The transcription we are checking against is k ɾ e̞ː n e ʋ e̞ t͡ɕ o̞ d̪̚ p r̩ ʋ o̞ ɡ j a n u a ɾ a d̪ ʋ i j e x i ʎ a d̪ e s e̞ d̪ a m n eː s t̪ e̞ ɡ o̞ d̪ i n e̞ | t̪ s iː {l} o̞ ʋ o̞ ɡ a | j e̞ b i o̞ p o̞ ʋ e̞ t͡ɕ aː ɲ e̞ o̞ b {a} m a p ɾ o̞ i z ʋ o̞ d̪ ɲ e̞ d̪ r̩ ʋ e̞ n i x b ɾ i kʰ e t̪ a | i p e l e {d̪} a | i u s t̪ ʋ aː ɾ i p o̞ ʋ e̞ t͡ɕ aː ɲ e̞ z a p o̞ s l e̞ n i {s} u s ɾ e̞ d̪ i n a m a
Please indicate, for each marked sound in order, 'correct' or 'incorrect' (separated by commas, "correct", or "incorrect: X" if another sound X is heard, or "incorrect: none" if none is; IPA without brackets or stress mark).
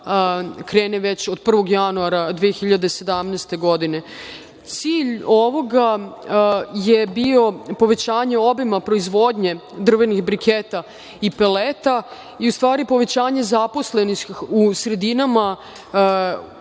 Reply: incorrect: ʎ, incorrect: i, incorrect: t̪, incorrect: x